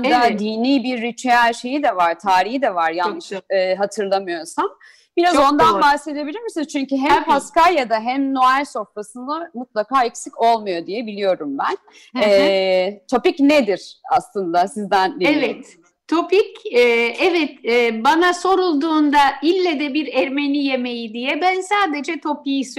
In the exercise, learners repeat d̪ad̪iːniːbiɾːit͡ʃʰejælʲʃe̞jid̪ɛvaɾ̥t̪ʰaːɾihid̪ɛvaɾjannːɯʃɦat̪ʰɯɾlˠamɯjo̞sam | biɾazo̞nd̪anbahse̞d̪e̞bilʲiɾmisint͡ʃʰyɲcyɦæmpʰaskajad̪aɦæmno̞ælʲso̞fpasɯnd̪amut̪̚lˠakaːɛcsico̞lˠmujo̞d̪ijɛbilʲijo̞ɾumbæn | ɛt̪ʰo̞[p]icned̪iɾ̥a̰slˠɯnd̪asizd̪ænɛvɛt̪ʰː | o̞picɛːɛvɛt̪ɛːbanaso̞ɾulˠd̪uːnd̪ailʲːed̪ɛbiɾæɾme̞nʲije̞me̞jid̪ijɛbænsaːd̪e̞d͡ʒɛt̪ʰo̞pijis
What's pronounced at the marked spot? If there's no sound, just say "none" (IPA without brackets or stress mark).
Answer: p